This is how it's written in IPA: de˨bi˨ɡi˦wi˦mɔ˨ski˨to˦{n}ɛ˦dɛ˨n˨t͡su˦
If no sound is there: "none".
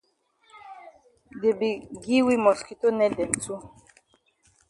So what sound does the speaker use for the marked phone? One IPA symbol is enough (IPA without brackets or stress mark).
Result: n